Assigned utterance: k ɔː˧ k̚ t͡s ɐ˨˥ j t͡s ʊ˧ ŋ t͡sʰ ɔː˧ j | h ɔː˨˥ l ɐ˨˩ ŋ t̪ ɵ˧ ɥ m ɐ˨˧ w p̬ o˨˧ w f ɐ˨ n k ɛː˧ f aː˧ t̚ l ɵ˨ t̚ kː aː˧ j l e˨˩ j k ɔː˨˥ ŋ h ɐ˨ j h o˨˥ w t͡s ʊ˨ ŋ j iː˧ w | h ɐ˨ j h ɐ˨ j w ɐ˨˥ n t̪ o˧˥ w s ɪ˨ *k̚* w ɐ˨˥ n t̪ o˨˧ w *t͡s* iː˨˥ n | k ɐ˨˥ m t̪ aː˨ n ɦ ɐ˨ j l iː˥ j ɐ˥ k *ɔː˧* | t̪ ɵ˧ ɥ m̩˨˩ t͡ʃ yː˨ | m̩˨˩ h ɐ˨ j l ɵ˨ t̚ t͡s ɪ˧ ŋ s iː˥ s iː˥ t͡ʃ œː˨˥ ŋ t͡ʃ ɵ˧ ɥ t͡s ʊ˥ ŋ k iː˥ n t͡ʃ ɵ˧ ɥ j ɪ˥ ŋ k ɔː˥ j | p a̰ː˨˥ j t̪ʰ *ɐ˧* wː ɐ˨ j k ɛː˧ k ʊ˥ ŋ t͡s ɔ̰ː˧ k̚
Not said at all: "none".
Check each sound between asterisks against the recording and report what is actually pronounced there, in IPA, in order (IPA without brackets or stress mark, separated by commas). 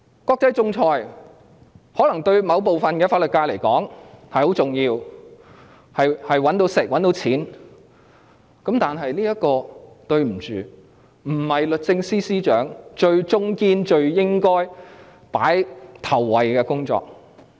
k̚, t͡sʰ, ɔː˧, ɐ˨˩